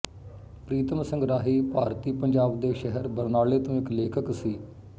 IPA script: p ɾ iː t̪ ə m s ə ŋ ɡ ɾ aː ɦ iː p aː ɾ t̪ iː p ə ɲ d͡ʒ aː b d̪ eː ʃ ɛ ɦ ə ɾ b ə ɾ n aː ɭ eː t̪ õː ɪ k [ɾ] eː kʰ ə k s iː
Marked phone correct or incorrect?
incorrect